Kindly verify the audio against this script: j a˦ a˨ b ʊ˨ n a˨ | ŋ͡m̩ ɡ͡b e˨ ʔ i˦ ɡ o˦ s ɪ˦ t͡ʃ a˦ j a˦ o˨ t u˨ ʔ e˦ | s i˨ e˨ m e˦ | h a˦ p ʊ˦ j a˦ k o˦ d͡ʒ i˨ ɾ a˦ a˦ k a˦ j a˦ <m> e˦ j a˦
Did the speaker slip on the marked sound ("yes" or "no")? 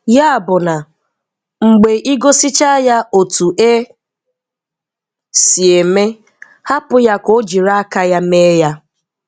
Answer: no